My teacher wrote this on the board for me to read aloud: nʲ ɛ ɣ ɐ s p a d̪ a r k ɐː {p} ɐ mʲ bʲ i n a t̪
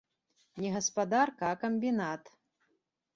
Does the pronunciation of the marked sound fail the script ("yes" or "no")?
yes